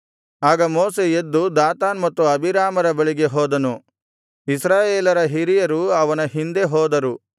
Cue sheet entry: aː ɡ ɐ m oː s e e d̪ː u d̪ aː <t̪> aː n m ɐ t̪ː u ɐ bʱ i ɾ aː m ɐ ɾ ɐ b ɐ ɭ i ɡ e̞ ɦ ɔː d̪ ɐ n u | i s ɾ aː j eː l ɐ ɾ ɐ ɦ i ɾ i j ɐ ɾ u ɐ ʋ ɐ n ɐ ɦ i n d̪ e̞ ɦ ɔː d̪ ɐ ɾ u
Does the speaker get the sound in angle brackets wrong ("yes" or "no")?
no